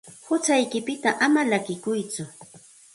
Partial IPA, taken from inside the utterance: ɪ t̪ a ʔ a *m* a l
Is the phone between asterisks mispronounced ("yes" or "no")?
no